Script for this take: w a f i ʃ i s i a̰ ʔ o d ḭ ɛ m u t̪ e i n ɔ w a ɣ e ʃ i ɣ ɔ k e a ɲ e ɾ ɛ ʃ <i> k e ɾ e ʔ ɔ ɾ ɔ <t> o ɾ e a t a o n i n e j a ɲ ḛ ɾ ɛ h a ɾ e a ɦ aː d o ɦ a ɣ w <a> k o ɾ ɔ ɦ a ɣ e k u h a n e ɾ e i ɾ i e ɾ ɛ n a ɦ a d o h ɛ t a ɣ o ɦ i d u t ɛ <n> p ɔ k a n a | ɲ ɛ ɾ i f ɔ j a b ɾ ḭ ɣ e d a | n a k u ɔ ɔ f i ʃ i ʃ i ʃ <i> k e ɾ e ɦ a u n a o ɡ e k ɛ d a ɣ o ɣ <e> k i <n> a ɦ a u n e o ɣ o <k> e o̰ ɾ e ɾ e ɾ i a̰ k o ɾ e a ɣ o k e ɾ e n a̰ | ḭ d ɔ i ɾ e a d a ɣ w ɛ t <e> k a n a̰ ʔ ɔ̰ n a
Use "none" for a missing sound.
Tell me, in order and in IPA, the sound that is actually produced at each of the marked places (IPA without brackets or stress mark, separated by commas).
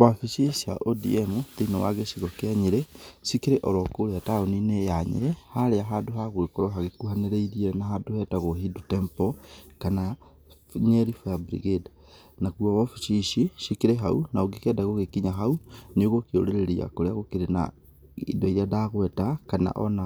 i, k, e, m, i, e, ɲ, k, a